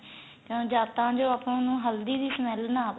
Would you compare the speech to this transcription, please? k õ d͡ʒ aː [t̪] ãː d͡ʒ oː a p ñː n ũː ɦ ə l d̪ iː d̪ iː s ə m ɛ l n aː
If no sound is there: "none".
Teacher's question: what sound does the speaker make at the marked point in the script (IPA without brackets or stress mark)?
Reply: t̪